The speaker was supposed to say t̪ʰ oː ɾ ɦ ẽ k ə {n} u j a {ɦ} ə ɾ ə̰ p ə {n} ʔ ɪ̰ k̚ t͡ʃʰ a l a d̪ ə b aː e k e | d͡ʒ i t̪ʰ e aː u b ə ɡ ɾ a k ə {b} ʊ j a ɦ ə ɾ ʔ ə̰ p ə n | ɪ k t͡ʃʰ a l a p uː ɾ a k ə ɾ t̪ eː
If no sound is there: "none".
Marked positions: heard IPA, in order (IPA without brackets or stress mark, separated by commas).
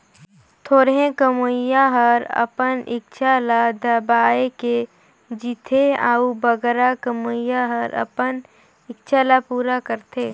m, ɦ, n, m